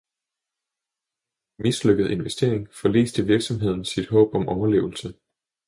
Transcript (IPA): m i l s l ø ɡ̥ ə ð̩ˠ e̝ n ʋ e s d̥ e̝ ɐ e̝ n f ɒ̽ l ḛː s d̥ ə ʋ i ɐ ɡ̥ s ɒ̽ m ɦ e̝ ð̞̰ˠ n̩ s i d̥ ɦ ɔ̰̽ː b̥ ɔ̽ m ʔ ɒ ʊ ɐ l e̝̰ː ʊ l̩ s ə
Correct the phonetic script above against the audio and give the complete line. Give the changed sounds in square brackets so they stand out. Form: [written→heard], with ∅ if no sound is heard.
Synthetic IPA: m i [l→∅] s l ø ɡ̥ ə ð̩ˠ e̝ n ʋ e s d̥ e̝ ɐ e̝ [n→ŋ] f ɒ̽ l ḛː s d̥ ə ʋ i ɐ ɡ̥ s ɒ̽ m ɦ e̝ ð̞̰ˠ n̩ s i d̥ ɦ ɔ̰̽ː b̥ [ɔ̽→ɒ̽] m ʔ ɒ ʊ ɐ l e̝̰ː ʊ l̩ s ə